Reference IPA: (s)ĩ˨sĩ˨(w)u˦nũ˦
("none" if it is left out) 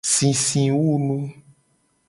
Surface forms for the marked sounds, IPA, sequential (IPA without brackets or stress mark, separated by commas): s, w